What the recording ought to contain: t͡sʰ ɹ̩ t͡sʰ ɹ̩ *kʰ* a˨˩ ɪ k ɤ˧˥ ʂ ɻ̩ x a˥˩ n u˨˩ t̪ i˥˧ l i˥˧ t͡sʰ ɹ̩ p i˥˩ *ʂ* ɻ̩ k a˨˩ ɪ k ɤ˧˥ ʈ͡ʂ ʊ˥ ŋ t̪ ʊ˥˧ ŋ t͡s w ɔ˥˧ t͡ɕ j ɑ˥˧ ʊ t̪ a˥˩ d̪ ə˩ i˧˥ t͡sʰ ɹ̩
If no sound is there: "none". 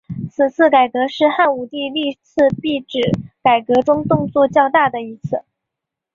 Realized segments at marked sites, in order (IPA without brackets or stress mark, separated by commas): k, ʈ͡ʂ